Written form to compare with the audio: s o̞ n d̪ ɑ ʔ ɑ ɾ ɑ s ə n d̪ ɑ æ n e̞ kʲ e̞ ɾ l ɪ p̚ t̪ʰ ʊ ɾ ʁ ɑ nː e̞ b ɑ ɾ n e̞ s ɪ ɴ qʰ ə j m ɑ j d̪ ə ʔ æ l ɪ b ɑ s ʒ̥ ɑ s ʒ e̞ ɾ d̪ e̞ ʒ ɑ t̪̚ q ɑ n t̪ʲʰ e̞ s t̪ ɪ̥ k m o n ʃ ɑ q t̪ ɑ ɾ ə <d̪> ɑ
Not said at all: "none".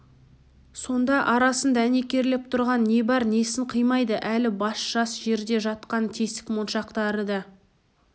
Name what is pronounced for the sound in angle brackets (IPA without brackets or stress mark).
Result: d̪